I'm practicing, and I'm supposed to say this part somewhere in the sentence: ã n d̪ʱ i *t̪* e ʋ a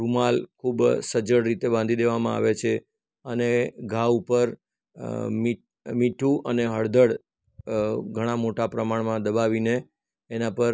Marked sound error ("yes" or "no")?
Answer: yes